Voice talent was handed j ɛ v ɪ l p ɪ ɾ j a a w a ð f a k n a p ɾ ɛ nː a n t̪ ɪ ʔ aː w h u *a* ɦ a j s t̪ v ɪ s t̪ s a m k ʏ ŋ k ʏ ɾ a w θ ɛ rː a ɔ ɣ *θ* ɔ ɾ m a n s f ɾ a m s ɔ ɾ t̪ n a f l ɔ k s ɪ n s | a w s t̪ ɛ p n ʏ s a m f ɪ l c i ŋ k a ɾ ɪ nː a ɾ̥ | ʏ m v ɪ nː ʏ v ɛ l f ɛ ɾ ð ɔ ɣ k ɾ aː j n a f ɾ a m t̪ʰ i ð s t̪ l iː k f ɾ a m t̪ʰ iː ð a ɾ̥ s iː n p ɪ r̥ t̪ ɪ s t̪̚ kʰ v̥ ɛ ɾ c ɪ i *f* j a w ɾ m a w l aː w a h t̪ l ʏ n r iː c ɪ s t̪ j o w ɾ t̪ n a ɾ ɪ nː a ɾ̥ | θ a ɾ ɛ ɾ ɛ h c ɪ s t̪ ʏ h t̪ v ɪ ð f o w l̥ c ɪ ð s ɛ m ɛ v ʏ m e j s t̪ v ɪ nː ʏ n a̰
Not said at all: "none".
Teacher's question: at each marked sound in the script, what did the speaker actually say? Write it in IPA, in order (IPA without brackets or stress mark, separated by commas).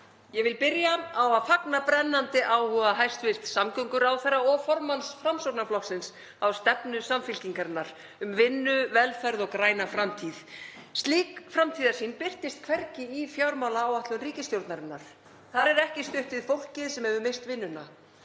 a, f, f